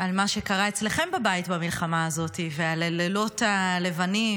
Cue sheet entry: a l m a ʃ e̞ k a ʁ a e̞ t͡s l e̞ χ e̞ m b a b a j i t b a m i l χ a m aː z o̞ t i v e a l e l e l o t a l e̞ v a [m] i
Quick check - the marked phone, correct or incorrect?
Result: incorrect